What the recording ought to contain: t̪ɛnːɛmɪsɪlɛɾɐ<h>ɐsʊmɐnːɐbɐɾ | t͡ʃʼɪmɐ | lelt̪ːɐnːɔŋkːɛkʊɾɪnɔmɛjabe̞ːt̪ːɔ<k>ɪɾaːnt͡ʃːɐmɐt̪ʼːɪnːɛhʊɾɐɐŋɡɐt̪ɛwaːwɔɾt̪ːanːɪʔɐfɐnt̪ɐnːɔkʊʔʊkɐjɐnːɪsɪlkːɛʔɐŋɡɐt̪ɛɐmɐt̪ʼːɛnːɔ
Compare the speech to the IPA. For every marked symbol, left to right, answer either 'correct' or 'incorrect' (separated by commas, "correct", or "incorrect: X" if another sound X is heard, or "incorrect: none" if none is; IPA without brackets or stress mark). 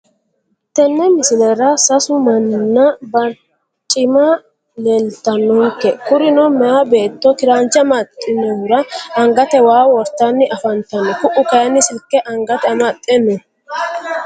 incorrect: s, correct